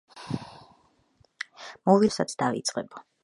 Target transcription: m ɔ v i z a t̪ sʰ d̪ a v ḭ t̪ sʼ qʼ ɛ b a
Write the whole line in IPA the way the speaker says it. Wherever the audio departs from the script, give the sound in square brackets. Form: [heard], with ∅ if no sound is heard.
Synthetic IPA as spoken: m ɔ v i [s] a t̪ sʰ d̪ a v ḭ t̪ sʼ qʼ ɛ b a